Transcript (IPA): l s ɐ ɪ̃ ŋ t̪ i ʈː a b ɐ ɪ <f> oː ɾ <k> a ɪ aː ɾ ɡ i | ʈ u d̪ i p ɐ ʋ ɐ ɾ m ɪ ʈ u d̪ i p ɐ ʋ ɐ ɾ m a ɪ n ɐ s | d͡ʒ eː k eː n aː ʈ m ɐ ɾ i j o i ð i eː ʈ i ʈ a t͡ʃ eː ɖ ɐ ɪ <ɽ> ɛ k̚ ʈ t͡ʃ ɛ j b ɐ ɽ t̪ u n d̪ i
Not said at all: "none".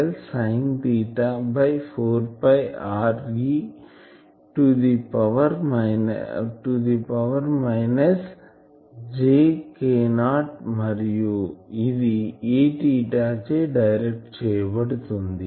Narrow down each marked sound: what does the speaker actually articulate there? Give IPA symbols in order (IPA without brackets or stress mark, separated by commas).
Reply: f, p, ɾ